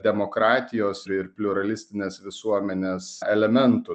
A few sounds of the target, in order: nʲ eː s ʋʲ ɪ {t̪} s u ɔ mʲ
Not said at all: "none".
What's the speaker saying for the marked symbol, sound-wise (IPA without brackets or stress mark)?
none